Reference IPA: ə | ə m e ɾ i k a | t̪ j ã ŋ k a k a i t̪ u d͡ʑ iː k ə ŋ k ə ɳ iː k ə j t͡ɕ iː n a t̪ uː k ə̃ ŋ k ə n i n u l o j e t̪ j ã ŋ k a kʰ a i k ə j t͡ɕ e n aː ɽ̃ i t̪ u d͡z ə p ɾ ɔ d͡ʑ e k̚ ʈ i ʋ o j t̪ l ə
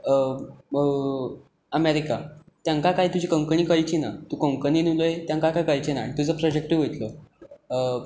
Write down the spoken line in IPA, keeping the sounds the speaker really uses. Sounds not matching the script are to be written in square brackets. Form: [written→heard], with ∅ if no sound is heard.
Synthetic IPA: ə | ə m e ɾ i k a | t̪ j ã ŋ k a k a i t̪ u d͡ʑ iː k ə ŋ k ə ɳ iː k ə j t͡ɕ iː n a t̪ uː k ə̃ ŋ k ə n i n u l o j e t̪ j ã ŋ k a [kʰ→k] a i k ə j t͡ɕ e n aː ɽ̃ i t̪ u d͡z ə p ɾ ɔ d͡ʑ e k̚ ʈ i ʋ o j t̪ l ə